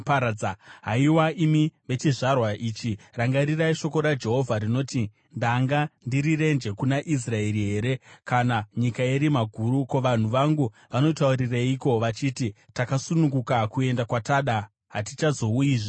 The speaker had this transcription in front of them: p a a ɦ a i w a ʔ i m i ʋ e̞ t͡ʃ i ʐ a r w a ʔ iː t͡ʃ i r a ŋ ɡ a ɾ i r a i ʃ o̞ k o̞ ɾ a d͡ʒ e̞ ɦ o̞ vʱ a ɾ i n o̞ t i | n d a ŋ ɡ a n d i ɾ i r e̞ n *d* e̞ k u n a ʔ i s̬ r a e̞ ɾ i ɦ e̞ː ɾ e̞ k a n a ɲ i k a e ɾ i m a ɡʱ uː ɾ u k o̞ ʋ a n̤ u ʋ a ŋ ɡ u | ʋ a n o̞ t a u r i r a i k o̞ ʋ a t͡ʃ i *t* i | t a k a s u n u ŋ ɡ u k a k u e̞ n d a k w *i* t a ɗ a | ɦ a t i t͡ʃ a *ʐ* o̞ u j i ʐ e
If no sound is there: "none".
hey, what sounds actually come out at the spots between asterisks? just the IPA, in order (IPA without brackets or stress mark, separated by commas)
d͡ʒ, t, a, z